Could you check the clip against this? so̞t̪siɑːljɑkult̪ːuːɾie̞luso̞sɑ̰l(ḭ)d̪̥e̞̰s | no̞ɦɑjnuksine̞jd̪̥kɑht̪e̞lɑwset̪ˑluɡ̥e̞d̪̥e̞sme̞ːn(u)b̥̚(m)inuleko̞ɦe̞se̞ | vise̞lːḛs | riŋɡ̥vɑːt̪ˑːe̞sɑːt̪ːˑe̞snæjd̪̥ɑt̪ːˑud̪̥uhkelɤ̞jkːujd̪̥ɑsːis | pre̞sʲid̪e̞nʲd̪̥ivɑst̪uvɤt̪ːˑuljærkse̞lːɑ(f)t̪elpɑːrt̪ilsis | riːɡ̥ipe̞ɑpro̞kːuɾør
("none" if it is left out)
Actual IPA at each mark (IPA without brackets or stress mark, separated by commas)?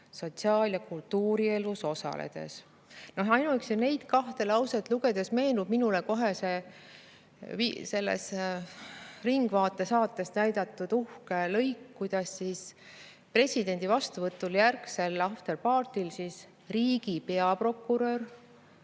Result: ḛ, u, m, f